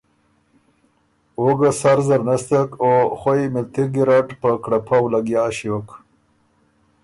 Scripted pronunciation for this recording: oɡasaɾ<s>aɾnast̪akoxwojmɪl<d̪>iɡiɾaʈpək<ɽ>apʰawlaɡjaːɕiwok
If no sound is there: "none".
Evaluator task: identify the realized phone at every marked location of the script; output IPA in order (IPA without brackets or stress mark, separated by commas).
z, t̪, ɽ